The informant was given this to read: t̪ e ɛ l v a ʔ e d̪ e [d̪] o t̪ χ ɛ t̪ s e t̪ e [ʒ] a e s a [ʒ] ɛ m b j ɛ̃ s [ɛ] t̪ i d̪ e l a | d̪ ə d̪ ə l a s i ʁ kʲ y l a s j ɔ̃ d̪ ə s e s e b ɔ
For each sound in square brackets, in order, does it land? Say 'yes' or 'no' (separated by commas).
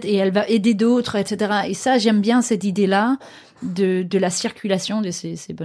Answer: yes, no, yes, yes